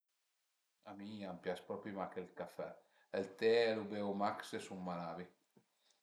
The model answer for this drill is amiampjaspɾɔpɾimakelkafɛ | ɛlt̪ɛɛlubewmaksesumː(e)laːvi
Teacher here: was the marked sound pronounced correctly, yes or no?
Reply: no